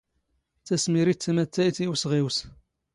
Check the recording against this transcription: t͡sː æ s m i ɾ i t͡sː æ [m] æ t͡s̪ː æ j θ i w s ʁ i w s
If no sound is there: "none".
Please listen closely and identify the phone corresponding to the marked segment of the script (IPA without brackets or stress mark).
m